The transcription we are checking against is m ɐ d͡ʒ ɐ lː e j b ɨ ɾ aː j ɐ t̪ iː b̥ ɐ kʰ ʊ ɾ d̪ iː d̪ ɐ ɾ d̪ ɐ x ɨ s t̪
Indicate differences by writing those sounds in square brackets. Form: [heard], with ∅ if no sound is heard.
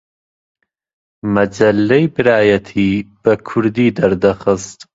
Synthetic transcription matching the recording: m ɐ d͡ʒ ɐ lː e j b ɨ ɾ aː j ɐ [t̪ʰ] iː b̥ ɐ kʰ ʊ ɾ d̪ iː d̪ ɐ ɾ d̪ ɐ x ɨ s t̪

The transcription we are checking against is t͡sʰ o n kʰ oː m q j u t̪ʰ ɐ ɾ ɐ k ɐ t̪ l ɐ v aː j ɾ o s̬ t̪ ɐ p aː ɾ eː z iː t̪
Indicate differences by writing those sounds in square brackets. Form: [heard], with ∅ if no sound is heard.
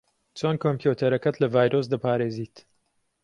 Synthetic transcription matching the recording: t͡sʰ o n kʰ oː m [p] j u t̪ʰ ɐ ɾ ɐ k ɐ t̪ l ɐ v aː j ɾ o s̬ [d̪] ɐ p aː ɾ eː z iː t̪

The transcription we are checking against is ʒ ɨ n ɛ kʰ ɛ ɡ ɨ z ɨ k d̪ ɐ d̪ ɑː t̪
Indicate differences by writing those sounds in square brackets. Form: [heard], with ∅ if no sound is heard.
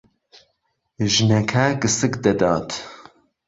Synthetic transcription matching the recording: ʒ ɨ n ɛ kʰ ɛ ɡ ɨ [s] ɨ k d̪ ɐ d̪ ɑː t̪

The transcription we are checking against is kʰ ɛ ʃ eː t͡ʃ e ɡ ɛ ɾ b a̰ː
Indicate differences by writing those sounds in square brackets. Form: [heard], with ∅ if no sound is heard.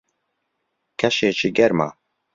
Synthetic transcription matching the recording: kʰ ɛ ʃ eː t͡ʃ [i] ɡ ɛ ɾ [m] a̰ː

